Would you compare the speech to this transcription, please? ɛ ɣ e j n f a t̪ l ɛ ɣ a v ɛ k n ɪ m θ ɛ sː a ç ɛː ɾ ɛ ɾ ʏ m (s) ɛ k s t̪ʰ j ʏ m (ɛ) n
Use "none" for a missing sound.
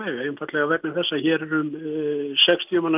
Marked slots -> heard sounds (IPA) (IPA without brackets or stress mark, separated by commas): s, a